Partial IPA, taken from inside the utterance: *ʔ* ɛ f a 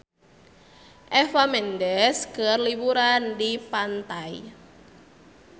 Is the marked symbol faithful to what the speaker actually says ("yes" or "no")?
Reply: yes